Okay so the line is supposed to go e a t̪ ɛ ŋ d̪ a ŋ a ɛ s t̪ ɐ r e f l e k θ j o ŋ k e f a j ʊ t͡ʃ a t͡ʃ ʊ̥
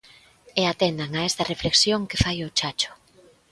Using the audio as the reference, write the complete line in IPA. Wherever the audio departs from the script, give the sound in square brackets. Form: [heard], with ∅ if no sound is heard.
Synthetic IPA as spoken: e a t̪ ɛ [n] d̪ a ŋ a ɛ s t̪ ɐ r e f l e k [s] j o ŋ k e f a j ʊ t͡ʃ a t͡ʃ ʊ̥